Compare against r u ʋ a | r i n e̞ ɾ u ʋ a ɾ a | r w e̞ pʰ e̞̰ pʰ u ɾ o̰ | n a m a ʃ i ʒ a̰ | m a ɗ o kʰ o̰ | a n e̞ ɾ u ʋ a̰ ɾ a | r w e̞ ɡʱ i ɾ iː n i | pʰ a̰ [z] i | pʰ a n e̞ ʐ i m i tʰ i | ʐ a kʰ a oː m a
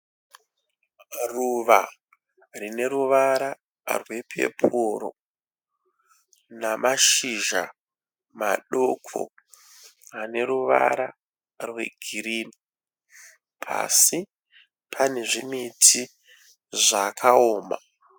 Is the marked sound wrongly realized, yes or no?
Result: yes